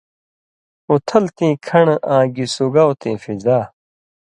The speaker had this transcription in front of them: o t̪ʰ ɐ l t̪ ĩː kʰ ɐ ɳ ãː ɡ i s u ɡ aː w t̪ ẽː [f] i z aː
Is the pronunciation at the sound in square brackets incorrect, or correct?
correct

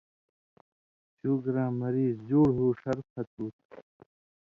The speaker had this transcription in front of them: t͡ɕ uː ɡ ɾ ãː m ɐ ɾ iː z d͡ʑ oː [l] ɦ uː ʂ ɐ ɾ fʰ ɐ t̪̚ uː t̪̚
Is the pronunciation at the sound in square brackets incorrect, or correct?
incorrect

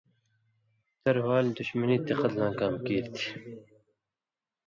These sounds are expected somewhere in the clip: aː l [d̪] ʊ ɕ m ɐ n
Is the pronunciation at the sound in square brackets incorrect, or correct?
correct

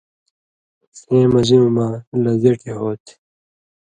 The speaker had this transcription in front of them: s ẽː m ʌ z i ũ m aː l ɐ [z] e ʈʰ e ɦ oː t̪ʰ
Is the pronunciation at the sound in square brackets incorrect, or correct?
correct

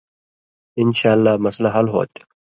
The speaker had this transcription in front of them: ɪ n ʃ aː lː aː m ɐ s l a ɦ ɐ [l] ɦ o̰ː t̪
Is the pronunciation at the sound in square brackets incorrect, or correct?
correct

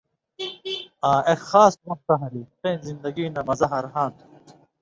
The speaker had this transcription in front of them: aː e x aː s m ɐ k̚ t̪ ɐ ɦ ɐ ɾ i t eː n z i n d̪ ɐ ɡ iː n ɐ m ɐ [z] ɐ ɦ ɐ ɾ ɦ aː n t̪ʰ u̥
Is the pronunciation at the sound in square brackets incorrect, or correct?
correct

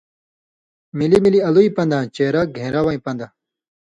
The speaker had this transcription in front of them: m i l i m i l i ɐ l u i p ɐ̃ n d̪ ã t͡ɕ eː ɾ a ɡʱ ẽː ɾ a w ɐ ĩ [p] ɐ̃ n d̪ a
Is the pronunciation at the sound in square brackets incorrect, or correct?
correct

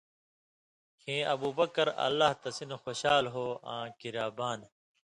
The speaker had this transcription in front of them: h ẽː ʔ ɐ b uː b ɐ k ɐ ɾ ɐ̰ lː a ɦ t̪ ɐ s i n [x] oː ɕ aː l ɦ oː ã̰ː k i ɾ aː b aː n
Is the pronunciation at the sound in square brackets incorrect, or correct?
correct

